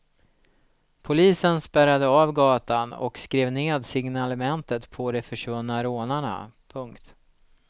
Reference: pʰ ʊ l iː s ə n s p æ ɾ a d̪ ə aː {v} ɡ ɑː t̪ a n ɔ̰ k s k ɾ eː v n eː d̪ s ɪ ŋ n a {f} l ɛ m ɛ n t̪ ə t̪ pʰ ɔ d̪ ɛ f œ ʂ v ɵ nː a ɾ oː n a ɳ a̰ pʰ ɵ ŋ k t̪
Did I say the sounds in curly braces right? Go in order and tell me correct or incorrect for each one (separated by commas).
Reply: correct, incorrect